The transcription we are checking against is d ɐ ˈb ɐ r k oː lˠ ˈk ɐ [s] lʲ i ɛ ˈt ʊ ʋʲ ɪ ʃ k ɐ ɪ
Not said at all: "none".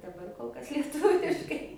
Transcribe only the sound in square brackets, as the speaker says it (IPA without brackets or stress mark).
s